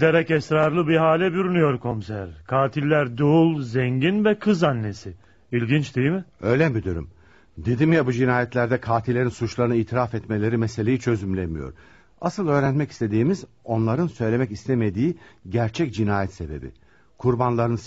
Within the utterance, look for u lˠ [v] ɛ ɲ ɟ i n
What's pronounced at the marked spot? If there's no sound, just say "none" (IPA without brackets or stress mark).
z